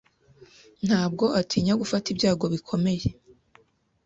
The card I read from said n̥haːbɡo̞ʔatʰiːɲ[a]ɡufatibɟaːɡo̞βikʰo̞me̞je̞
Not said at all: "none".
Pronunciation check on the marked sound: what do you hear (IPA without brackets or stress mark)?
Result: a